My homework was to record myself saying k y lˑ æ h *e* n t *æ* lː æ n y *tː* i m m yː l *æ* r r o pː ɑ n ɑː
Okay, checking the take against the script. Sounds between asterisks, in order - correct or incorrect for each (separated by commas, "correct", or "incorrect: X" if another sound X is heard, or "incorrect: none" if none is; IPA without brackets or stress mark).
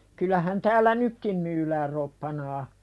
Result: incorrect: æ, incorrect: æː, incorrect: kː, incorrect: æː